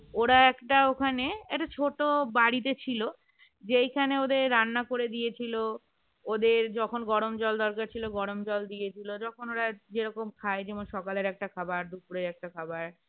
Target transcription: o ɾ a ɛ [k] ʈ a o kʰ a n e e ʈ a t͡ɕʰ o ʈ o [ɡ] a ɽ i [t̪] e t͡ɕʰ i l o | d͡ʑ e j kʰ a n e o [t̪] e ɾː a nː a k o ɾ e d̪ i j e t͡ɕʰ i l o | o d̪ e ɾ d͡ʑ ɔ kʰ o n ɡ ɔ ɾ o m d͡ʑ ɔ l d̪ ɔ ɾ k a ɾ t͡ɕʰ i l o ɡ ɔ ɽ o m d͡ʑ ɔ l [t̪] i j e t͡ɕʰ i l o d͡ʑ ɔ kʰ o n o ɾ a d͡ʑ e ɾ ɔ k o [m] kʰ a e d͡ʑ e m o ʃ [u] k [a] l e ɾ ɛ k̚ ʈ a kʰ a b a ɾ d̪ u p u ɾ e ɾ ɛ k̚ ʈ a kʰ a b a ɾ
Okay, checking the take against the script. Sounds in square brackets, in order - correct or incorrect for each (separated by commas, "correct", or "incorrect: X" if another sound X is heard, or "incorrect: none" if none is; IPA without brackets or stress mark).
correct, incorrect: b, correct, incorrect: d̪, incorrect: d̪, correct, incorrect: ɔ, correct